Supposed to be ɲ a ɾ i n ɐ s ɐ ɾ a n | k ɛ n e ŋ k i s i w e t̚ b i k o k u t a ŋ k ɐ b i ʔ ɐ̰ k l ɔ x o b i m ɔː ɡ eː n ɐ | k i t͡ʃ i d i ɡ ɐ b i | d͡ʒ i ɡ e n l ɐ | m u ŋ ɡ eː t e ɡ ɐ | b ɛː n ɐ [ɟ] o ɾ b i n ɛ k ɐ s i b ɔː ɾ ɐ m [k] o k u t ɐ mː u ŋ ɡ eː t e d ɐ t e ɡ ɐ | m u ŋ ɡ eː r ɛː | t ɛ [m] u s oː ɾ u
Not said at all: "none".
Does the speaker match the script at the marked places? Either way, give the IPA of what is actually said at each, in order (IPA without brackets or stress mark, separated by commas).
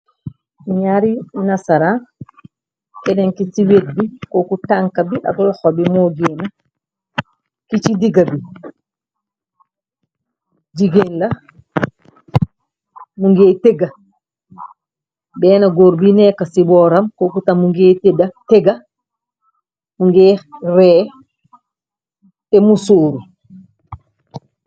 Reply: ɡ, k, m